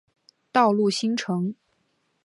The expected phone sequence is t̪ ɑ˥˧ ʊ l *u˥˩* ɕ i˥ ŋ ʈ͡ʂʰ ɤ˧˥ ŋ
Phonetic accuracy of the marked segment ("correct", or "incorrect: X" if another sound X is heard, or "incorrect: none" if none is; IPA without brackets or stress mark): correct